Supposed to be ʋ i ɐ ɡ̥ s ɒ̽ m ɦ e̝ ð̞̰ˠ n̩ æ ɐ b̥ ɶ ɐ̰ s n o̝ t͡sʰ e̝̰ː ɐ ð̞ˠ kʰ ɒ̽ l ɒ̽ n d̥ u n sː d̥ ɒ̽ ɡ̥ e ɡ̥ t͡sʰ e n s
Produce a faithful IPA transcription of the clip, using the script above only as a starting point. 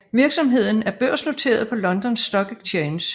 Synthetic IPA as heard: ʋ i ɐ ɡ̥ s ɒ̽ m ɦ e̝ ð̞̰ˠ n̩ æ ɐ b̥ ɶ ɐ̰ s n o̝ t͡sʰ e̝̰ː ɐ ð̞ˠ pʰ ɒ̽ l ɒ̽ n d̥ ɒ n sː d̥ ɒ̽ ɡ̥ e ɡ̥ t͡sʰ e n s